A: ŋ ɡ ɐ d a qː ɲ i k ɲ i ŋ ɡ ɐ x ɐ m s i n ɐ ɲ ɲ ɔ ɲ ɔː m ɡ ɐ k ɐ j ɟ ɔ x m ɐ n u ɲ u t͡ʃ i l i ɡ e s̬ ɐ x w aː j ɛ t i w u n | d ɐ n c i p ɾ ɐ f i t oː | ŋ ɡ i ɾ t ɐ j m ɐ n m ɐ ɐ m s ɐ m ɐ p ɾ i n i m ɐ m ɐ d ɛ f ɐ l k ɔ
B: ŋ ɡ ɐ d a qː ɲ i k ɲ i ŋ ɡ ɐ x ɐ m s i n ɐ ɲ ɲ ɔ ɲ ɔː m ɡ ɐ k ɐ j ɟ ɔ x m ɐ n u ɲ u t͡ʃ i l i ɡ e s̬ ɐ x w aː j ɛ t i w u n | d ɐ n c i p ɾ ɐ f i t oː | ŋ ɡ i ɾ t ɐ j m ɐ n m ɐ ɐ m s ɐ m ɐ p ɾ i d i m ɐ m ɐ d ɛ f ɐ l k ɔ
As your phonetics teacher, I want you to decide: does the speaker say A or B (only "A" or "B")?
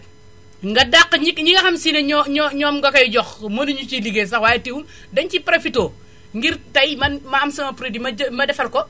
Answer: B